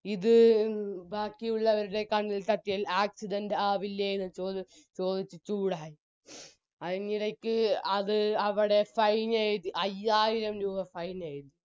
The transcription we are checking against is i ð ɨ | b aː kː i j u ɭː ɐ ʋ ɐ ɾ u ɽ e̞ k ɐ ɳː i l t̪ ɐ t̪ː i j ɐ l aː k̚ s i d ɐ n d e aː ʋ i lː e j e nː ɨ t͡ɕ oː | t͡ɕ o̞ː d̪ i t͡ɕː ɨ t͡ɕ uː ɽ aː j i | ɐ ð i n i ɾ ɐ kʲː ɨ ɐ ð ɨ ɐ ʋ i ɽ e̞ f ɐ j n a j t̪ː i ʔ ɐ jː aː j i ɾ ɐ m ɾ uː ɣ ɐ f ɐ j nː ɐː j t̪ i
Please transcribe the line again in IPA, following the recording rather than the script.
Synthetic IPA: i ð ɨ | b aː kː i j u ɭː ɐ ʋ ɐ ɾ u ɽ e̞ k ɐ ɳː i l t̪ ɐ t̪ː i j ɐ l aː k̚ s i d ɐ n d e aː ʋ i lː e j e nː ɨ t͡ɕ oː | t͡ɕ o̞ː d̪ i t͡ɕː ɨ t͡ɕ uː ɽ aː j i | ɐ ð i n i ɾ ɐ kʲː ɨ ɐ ð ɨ ɐ ʋ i ɽ e̞ f ɐ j n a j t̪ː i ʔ ɐ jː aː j i ɾ ɐ m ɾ uː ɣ ɐ f ɐ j n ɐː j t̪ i